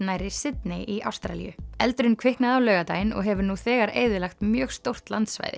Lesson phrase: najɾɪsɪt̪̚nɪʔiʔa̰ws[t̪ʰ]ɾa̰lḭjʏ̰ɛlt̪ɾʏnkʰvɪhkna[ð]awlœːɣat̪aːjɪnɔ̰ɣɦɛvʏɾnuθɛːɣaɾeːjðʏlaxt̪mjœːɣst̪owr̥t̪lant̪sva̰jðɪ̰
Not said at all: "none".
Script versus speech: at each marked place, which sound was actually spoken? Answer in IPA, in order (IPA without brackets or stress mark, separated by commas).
t̪, ð